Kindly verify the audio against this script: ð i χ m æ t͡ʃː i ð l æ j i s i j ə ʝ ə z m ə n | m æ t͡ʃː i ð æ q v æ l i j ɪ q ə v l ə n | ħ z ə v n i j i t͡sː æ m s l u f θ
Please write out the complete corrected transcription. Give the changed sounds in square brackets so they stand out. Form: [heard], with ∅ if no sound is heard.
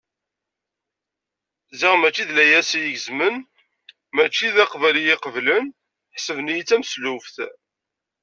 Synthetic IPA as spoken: [z] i [ʁ] m æ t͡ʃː i ð l æ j [æ] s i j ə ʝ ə z m ə n | m æ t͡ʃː i ð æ q v æ l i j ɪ q ə v l ə n | ħ [s] ə v n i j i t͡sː æ m s l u f θ